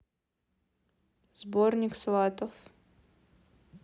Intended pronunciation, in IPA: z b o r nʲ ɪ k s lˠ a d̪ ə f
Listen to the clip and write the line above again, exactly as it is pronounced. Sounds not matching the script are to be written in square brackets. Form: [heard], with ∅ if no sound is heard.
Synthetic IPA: z b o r nʲ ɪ k s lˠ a [t̪] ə f